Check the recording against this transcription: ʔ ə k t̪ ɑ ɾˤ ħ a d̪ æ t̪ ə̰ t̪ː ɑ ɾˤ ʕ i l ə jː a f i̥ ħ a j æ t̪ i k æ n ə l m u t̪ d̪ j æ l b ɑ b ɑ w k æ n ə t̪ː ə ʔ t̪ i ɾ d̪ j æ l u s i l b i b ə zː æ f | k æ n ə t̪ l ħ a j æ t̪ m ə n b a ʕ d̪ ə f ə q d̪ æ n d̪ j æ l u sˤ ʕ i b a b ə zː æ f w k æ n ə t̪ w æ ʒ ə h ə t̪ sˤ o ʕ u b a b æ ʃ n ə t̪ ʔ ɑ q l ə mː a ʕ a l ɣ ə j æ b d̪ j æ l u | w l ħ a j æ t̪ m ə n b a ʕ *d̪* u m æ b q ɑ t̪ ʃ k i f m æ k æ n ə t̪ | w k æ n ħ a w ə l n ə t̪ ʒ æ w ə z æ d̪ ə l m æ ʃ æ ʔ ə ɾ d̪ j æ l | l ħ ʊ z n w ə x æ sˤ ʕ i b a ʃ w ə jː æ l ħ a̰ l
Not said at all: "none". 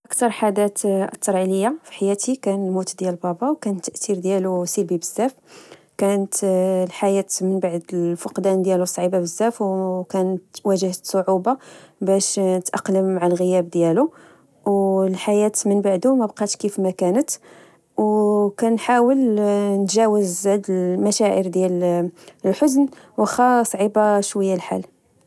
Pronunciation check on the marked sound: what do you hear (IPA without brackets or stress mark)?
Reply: d̪